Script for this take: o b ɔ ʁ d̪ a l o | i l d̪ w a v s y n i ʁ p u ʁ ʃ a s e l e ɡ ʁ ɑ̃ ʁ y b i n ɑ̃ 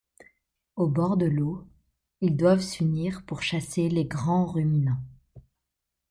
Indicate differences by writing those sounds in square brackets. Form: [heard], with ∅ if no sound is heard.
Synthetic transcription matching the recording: o b ɔ ʁ d̪ [ə] l o | i l d̪ w a v s y n i ʁ p u ʁ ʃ a s e l e ɡ ʁ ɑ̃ ʁ y [m] i n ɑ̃

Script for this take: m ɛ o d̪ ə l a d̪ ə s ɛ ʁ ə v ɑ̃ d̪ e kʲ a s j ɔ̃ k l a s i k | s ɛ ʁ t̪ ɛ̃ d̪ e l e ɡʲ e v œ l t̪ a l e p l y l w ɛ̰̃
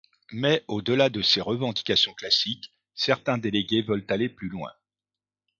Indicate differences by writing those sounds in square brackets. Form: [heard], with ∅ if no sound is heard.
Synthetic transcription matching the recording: m ɛ o d̪ ə l a d̪ ə s [e] ʁ ə v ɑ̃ d̪ [i] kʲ a s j ɔ̃ k l a s i k | s ɛ ʁ t̪ ɛ̃ d̪ e l e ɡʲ e v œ l t̪ a l e p l y l w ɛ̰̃

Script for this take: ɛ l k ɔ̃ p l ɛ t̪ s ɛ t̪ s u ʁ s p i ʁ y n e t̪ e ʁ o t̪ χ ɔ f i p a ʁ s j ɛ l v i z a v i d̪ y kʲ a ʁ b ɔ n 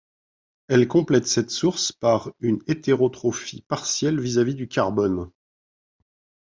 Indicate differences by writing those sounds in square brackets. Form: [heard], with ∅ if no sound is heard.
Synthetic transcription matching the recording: ɛ l k ɔ̃ p l ɛ t̪ s ɛ t̪ s u ʁ s p [a] ʁ y n e t̪ e ʁ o t̪ χ ɔ f i p a ʁ s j ɛ l v i z a v i d̪ y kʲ a ʁ b ɔ n

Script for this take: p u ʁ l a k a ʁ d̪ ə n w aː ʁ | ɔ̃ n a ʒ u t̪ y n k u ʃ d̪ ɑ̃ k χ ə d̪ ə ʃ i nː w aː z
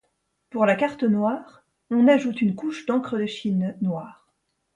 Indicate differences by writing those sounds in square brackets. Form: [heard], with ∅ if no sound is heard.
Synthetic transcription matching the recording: p u ʁ l a k a ʁ [t̪] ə n w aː ʁ | ɔ̃ n a ʒ u t̪ y n k u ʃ d̪ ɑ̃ k χ ə d̪ ə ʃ i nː w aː [ʁ]

